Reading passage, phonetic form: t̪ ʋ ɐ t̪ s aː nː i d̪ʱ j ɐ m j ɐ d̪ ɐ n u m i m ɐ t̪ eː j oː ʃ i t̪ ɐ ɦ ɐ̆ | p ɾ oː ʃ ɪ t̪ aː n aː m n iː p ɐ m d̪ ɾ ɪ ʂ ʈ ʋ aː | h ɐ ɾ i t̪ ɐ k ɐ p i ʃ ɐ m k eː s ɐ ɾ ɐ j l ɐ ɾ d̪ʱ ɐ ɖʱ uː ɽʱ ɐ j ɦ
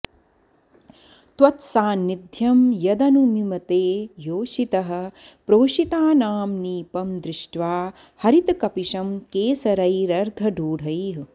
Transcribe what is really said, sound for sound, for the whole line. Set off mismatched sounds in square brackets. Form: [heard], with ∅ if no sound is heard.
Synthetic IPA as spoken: t̪ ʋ ɐ t̪ s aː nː i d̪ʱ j ɐ m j ɐ d̪ ɐ n u m i m ɐ t̪ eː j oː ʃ i t̪ ɐ ɦ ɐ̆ | p ɾ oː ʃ [i] t̪ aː n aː m n iː p ɐ m d̪ ɾ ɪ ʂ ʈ ʋ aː | h ɐ ɾ i t̪ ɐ k ɐ p i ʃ ɐ m k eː s ɐ ɾ ɐ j [ɾ] ɐ ɾ d̪ʱ ɐ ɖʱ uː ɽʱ ɐ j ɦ